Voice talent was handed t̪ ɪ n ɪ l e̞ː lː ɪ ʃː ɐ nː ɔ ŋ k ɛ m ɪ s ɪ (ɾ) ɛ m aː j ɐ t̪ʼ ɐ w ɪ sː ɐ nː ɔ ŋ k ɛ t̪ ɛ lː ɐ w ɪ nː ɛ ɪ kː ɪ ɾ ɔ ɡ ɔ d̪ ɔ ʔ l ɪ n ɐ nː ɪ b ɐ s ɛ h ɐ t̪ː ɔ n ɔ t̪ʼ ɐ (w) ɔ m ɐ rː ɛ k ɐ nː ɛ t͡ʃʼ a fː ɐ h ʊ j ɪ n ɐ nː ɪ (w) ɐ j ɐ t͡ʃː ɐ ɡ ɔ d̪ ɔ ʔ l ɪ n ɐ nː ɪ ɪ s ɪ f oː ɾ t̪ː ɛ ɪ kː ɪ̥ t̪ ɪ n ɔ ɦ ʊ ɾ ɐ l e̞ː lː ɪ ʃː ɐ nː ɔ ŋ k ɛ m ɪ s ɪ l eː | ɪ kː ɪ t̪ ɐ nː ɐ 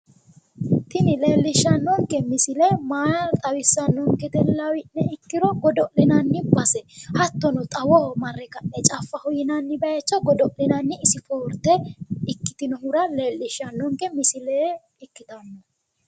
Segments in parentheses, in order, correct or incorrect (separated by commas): incorrect, correct, incorrect